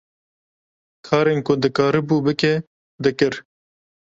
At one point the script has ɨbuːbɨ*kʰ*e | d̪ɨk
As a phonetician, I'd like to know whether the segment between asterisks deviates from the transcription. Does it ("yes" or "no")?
yes